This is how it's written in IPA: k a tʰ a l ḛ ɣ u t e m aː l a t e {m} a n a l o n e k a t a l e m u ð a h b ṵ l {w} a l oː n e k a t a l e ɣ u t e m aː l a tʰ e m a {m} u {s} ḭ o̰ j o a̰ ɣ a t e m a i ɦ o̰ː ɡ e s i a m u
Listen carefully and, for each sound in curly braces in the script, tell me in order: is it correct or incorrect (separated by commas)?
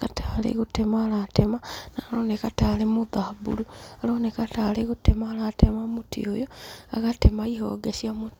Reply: correct, incorrect, correct, incorrect